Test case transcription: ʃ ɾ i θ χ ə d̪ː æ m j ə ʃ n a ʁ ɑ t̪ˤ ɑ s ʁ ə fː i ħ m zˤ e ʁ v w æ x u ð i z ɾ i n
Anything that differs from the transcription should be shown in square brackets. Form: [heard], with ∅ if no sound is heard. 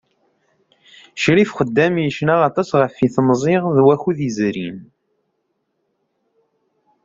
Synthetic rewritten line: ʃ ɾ i [f] χ ə d̪ː æ m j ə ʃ n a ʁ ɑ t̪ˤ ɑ s ʁ ə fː i [θ] m zˤ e ʁ [ð] w æ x u ð i z ɾ i n